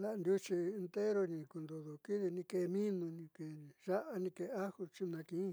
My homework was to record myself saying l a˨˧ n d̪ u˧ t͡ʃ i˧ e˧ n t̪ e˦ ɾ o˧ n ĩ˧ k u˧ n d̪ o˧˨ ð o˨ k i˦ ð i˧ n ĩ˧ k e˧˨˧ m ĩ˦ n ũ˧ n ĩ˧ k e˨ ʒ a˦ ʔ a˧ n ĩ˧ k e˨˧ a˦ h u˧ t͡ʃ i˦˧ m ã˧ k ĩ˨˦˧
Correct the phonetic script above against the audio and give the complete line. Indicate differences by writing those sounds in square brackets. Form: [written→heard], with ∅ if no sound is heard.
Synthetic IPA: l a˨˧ n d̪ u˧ t͡ʃ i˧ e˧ n t̪ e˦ ɾ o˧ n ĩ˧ k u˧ n d̪ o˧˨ ð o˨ k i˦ ð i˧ n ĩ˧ k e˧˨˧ m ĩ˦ n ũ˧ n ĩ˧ k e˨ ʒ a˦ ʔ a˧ n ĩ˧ k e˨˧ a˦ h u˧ t͡ʃ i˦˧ [m→n] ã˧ k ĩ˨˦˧